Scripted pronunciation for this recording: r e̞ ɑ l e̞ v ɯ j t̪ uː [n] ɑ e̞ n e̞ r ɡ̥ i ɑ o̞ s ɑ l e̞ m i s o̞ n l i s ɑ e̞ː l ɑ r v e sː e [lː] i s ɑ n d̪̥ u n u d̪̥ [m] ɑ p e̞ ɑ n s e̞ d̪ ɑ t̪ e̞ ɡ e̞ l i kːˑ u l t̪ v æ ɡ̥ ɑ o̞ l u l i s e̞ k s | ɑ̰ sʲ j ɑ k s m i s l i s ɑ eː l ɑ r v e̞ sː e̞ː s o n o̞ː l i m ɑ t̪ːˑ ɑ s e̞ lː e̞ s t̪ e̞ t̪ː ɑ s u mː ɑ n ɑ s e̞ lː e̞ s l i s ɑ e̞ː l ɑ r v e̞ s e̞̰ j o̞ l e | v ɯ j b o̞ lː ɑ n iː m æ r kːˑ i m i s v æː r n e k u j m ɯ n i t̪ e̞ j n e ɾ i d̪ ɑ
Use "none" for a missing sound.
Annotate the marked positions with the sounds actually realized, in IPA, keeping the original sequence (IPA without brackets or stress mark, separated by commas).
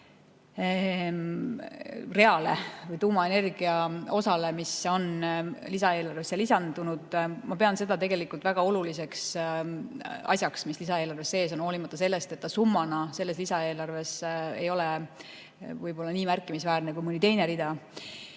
m, l, m